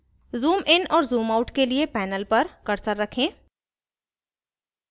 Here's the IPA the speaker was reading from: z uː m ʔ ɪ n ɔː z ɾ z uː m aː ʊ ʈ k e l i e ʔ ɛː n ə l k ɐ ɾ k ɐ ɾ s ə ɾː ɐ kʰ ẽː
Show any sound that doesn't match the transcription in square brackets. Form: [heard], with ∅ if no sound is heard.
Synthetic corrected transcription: z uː m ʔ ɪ n ɔː [∅] ɾ z uː m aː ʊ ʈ k e l i e [p] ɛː n ə l [p] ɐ ɾ k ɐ ɾ s ə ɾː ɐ kʰ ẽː